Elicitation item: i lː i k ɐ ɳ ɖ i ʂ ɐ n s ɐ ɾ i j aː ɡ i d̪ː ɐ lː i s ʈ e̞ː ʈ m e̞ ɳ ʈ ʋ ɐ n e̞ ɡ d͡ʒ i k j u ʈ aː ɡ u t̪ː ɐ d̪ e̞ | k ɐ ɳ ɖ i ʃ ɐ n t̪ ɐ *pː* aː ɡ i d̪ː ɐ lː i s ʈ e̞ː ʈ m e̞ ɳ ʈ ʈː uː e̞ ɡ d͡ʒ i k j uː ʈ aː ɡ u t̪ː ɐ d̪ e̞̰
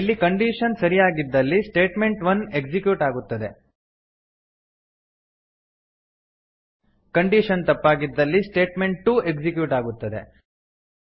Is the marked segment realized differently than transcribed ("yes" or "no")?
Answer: no